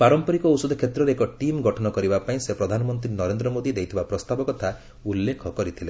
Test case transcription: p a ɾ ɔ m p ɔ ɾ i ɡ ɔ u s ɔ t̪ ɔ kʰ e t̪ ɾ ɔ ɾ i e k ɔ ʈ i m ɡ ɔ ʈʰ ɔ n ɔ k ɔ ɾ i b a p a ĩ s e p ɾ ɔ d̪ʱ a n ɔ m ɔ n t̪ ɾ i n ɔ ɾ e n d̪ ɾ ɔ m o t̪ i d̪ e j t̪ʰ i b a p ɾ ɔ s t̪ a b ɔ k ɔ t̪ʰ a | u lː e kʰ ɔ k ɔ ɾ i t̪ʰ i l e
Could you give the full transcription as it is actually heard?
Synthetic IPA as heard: p a ɾ ɔ m p ɔ ɾ i k ɔ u s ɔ d̪ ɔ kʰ e t̪ ɾ ɔ ɾ e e k ɔ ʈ i m ɡ ɔ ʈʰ ɔ n ɔ k ɔ ɾ i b a p a ĩ s e p ɾ ɔ d̪ʱ a n ɔ m ɔ n t̪ ɾ i n ɔ ɾ e n d̪ ɾ ɔ m o d̪ i d̪ e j t̪ʰ i b a p ɾ ɔ s t̪ a b ɔ k ɔ t̪ʰ a | u lː e kʰ ɔ k ɔ ɾ i t̪ʰ i l e